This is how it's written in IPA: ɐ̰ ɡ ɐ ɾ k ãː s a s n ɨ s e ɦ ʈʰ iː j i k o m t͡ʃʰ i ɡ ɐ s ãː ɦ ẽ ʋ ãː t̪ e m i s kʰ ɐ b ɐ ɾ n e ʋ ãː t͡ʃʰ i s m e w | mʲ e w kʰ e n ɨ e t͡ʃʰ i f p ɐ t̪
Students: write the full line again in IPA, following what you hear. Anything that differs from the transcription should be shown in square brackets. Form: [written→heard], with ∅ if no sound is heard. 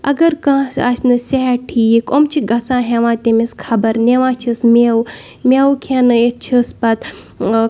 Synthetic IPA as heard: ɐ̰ ɡ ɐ ɾ k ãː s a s n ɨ s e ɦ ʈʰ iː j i k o m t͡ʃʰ i ɡ ɐ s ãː ɦ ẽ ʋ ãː t̪ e m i s kʰ ɐ b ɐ ɾ n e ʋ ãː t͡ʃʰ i s m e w | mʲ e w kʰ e n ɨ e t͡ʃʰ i [f→s] p ɐ t̪

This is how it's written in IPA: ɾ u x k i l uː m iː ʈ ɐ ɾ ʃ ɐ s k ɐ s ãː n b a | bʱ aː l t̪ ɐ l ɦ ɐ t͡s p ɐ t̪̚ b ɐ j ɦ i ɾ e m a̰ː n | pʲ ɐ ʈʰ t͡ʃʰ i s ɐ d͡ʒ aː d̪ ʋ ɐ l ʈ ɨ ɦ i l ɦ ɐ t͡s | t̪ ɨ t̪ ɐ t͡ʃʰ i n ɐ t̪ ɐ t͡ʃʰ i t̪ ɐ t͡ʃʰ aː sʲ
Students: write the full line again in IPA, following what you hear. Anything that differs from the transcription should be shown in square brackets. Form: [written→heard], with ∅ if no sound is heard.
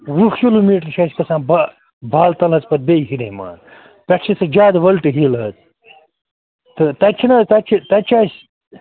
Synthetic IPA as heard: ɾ u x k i l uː m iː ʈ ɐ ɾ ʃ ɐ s k ɐ s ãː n b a | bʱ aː l t̪ ɐ l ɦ ɐ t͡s p ɐ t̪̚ b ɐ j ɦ i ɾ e m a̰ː n | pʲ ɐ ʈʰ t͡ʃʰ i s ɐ d͡ʒ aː d̪ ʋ ɐ l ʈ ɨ ɦ i l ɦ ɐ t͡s | t̪ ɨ t̪ ɐ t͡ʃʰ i n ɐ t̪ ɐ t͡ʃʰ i t̪ ɐ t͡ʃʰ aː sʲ

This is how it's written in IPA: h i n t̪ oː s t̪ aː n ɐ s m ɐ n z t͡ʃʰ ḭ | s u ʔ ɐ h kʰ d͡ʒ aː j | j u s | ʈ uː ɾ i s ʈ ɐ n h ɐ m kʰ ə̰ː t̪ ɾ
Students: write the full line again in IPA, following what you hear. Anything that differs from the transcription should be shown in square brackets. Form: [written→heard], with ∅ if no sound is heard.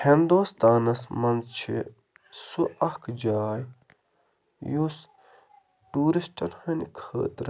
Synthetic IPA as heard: h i n [t̪→d̪] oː s t̪ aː n ɐ s m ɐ n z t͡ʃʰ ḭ | s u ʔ ɐ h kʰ d͡ʒ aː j | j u s | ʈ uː ɾ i s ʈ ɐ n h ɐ [m→n] kʰ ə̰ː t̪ ɾ

